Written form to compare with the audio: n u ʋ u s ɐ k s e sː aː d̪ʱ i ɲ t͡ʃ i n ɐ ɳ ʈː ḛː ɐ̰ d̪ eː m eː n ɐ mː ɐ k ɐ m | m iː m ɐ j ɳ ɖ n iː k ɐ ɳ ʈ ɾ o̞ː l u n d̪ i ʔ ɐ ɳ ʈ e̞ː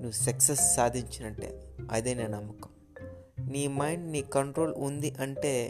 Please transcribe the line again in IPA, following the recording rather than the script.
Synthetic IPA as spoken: n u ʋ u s ɐ k s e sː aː d̪ʱ i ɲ t͡ʃ i n ɐ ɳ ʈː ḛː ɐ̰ d̪ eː n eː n ɐ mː ɐ k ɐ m | n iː m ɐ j ɳ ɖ n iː k ɐ ɳ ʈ ɾ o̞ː l u n d̪ i ʔ ɐ ɳ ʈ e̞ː